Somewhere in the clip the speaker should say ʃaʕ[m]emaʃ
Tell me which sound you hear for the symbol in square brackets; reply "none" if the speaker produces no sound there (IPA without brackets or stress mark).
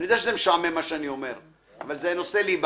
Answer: m